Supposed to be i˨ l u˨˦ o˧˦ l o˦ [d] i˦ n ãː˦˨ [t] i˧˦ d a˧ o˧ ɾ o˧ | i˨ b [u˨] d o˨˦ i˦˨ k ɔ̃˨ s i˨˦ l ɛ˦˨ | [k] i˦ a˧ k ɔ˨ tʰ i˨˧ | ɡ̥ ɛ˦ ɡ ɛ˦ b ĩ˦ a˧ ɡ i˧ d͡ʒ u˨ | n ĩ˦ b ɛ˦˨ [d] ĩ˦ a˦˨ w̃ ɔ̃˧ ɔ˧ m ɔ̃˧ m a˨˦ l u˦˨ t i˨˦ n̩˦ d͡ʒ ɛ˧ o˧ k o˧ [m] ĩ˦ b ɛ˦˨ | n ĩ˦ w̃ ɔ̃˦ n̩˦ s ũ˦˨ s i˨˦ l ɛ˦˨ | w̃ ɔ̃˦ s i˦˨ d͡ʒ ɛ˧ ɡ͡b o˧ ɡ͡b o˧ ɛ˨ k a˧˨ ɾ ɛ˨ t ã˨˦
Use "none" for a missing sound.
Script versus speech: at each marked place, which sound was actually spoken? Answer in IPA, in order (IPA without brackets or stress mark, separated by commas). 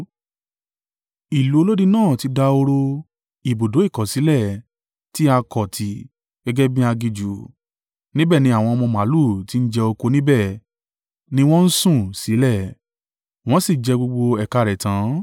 d, t, o˨, t, n, n